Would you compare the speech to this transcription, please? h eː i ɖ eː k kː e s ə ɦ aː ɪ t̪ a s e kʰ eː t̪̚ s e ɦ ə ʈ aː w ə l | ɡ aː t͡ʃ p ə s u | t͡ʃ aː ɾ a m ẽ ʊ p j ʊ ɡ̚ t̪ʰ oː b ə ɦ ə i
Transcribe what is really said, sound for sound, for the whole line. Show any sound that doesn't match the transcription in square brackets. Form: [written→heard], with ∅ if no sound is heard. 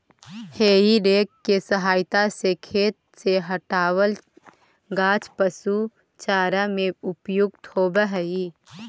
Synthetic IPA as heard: h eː i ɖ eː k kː e s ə ɦ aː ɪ t̪ a s e kʰ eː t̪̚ s e ɦ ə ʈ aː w ə l | ɡ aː t͡ʃ p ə s u | t͡ʃ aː ɾ a m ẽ ʊ p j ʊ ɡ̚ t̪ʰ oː b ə ɦ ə i

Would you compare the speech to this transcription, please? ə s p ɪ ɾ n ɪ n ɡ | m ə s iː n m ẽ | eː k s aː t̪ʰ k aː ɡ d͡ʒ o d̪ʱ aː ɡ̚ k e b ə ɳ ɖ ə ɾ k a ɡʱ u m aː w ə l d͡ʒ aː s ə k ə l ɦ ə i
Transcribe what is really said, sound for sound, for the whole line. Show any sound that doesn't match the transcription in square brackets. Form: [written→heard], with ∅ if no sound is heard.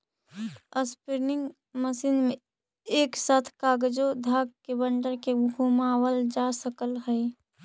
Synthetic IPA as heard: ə s p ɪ ɾ n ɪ [n→ŋ] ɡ | m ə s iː n m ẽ | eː k s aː t̪ʰ k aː ɡ d͡ʒ o d̪ʱ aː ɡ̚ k e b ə ɳ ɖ ə ɾ k [a→e] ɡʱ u m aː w ə l d͡ʒ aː s ə k ə l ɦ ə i

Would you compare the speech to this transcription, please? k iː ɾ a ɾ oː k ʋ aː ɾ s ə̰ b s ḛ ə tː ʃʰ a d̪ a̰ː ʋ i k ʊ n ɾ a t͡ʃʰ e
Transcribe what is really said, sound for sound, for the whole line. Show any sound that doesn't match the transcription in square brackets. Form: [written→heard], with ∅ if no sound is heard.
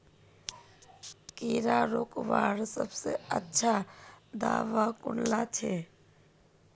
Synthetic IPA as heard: k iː ɾ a ɾ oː k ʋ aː ɾ s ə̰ b s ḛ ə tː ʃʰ a d̪ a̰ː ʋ [i→a] k ʊ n [ɾ→l] a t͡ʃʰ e

